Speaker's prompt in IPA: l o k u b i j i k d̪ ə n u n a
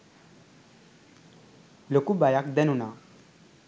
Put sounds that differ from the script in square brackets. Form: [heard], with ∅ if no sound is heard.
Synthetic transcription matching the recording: l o k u b [a] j [a] k d̪ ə n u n a